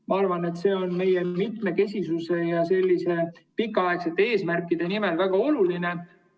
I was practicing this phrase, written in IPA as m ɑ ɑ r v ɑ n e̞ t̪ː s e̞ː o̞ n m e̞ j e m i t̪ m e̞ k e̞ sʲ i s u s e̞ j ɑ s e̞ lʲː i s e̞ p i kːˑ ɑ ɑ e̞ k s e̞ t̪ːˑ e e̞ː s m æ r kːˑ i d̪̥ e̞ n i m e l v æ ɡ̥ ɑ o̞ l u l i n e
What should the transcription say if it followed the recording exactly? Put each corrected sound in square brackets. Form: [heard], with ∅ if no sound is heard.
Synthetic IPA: m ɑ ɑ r v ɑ n e̞ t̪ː s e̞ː o̞ n m e̞ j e m i t̪ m e̞ k e̞ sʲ i s u s e̞ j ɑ s e̞ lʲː i s e̞ p i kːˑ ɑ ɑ e̞ k s e̞ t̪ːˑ e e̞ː s m æ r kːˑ i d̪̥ e̞ n i m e l v æ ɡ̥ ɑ o̞ l u l i n e